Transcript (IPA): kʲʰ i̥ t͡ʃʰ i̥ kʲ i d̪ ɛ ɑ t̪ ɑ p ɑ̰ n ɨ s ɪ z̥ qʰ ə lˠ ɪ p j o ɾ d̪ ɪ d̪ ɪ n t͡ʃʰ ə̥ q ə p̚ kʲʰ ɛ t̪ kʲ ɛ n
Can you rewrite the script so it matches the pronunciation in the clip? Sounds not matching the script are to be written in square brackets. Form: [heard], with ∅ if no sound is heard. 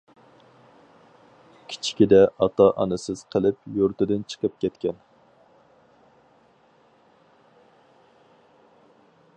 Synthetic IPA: kʲʰ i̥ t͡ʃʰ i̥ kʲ i d̪ ɛ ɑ t̪ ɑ [ʔ] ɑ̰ n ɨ s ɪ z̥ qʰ ə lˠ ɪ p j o ɾ [t̪] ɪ d̪ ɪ n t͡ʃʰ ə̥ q ə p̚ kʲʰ ɛ t̪ kʲ ɛ n